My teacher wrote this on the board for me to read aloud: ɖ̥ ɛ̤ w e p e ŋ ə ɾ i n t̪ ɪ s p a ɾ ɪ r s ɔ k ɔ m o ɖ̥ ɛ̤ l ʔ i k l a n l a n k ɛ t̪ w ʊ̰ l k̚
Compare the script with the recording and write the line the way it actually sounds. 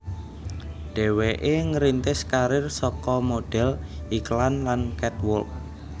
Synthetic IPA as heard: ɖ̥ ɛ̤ w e ʔ e ŋ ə ɾ i n t̪ ɪ s k a ɾ ɪ r s ɔ k ɔ m o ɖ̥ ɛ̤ l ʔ i k l a n l a n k ɛ t̪ w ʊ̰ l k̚